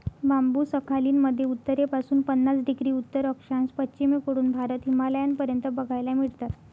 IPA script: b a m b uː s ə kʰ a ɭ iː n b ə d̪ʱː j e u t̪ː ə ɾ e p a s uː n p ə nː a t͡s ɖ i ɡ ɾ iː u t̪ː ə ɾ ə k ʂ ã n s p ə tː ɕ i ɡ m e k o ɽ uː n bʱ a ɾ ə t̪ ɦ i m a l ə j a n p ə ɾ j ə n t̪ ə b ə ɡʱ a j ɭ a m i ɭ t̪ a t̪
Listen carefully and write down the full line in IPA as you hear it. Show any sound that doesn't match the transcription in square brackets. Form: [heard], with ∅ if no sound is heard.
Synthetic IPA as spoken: b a m b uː s ə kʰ a [l] iː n [m] ə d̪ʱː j e u t̪ː ə ɾ e p a s uː n p ə nː a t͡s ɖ i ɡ ɾ iː u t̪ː ə ɾ ə k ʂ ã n s p ə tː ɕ i [∅] m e k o ɽ uː n bʱ a ɾ ə t̪ ɦ i m a l ə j a n p ə ɾ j ə n t̪ ə b ə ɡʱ a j [l] a m i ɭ t̪ a t̪